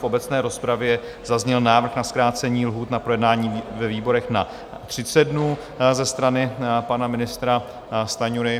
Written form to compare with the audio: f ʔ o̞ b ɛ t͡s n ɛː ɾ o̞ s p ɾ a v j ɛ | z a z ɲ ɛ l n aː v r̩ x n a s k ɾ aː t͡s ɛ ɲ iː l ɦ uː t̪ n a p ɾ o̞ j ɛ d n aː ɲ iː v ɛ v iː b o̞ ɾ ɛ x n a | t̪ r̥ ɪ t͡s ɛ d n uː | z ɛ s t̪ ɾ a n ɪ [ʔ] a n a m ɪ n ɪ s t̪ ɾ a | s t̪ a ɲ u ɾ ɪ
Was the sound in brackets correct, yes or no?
no